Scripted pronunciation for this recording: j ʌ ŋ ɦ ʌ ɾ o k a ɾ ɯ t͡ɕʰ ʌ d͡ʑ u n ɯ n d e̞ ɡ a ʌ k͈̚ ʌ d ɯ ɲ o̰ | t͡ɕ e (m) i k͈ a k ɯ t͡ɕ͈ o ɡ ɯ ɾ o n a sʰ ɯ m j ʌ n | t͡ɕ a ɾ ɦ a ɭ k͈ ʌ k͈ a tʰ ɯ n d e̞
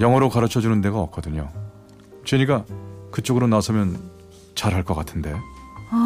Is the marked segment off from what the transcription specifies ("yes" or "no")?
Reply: yes